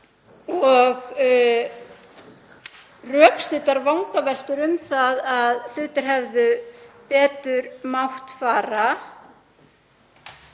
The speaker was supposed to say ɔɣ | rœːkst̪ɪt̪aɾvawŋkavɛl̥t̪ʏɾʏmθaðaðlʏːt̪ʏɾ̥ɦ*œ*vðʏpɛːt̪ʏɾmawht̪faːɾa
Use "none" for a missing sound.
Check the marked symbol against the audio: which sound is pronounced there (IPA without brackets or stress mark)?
ɛ